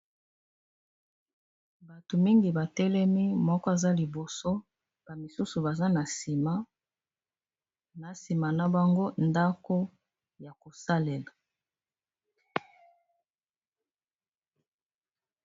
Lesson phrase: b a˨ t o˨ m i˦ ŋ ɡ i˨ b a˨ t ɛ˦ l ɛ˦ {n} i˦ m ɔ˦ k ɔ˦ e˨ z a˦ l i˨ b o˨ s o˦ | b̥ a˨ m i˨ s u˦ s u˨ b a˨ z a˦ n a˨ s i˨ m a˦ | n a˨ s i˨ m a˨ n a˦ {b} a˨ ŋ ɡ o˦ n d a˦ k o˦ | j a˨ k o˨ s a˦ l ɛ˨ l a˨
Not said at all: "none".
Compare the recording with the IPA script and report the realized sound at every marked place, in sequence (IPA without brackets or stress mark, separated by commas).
m, b